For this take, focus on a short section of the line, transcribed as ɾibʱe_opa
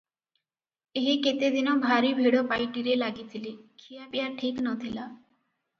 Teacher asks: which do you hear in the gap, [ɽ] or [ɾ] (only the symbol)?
ɽ